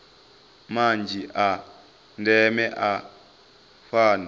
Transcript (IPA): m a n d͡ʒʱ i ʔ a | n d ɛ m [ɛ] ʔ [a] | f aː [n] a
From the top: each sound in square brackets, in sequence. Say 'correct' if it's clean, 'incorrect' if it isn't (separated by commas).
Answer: correct, correct, correct